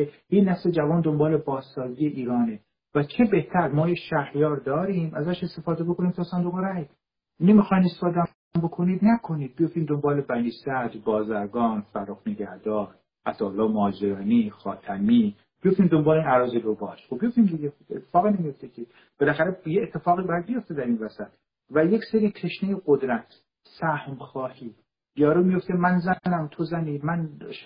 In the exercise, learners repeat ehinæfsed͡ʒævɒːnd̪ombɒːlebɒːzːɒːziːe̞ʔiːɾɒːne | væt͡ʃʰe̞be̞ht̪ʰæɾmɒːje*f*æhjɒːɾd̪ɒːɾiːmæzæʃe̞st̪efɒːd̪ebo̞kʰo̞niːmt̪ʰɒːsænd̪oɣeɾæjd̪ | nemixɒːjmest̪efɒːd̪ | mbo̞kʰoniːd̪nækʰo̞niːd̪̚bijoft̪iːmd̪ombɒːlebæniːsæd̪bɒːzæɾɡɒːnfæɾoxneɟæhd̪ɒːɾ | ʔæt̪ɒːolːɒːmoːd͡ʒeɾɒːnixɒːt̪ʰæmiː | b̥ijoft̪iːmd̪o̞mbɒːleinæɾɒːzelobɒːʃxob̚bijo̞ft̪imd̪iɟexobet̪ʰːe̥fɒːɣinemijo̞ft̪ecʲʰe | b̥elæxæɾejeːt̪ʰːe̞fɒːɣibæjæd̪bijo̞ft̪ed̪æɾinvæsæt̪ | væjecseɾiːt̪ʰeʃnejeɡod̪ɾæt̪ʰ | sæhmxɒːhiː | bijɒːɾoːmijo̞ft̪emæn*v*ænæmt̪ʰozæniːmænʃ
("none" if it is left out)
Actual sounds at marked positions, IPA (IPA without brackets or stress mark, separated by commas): ʃ, z